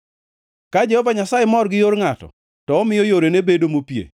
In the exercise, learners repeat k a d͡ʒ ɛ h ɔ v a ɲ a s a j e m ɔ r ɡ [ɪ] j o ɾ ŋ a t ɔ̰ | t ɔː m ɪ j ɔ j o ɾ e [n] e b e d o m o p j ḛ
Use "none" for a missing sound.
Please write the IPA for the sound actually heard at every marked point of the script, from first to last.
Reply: ɪ, n

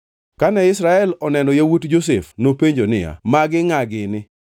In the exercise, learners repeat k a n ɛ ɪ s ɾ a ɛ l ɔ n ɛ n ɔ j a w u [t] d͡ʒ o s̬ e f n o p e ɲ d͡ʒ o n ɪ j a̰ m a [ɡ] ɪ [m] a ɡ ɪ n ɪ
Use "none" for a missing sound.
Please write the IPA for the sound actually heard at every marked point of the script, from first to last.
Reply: t, ɡ, ŋ

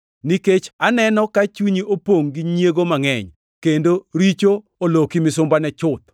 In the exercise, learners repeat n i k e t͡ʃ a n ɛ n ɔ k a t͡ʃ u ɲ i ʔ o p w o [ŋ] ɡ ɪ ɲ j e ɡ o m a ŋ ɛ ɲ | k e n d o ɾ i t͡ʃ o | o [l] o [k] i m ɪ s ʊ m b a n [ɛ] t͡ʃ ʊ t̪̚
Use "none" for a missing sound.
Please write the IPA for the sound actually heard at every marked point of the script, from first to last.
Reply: ŋ, l, k, ɛ

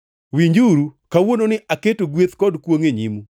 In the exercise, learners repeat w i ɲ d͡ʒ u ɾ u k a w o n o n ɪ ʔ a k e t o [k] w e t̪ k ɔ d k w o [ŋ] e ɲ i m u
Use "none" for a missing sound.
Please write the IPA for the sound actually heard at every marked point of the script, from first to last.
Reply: ɡ, ŋ

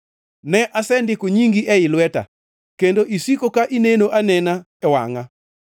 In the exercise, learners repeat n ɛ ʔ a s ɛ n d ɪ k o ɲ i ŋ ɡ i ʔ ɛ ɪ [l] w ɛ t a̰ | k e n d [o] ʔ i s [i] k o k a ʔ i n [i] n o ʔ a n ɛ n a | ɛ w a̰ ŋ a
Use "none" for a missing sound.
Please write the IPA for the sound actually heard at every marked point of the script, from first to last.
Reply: l, o, i, e

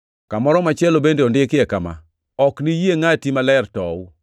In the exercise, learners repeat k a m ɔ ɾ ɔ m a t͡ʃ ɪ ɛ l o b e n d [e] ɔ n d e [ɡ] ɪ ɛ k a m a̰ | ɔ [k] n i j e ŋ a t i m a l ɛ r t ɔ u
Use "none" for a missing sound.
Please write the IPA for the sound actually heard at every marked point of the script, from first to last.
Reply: e, k, k

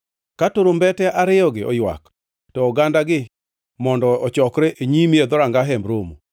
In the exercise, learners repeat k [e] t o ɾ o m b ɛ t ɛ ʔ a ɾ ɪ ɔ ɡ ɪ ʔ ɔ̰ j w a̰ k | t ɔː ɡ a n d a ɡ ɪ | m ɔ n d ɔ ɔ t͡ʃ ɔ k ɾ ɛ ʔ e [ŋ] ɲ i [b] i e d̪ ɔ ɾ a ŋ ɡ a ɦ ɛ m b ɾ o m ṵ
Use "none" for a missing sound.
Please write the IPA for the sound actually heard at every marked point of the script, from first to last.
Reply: a, none, m

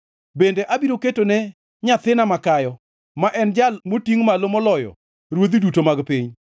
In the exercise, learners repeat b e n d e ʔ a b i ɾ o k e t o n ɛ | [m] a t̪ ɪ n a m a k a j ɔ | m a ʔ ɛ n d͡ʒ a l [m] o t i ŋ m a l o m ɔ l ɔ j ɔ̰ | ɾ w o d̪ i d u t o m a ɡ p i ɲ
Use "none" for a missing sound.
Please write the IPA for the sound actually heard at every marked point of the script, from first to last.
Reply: ɲ, m

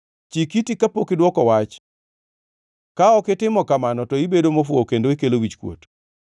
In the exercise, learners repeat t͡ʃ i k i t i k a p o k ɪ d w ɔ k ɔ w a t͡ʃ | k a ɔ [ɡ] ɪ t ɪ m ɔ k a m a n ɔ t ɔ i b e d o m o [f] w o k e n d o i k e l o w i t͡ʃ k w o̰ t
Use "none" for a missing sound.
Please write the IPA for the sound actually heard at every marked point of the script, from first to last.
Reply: k, f

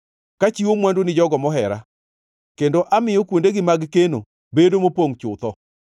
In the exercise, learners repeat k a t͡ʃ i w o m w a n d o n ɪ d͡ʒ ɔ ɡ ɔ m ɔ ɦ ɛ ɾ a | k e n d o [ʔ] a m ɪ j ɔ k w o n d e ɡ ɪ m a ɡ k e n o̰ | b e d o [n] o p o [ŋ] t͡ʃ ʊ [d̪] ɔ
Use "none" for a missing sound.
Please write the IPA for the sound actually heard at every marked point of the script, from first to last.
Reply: ʔ, m, ŋ, t̪

